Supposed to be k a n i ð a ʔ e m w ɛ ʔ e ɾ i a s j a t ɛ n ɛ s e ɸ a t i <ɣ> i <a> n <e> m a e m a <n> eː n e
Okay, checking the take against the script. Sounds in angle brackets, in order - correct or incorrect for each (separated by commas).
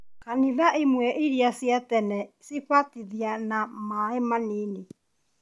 incorrect, correct, incorrect, correct